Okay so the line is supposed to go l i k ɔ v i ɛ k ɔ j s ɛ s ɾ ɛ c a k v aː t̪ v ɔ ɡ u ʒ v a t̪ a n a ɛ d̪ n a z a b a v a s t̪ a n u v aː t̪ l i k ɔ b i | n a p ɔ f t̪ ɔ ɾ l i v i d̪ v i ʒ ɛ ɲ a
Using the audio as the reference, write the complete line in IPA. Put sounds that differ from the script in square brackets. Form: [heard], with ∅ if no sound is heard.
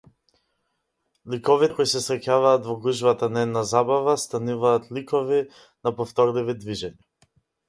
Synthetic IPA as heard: l i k ɔ v i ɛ k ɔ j s ɛ s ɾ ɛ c a [∅] v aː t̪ v ɔ ɡ u ʒ v a t̪ a n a ɛ d̪ n a z a b a v a s t̪ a n u v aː t̪ l i k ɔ [v] i | n a p ɔ f t̪ ɔ ɾ l i v i d̪ v i ʒ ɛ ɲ a